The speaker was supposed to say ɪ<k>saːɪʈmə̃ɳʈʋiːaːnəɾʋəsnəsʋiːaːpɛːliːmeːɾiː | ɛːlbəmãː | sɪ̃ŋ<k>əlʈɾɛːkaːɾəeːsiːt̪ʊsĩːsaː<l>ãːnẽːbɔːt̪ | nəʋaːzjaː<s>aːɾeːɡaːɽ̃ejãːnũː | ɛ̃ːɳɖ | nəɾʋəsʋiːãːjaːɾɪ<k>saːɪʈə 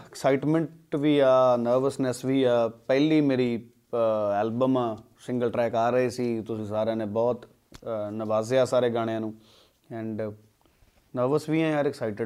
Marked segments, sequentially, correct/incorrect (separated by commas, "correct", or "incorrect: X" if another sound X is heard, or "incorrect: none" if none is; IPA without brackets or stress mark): correct, incorrect: ɡ, incorrect: ɾ, correct, correct